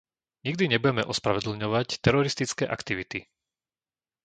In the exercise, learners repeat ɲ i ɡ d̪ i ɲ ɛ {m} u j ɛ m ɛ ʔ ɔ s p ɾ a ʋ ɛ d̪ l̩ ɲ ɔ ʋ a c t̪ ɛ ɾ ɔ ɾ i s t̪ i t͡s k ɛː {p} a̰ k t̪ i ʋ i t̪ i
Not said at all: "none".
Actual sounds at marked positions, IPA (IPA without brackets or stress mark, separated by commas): b, ʔ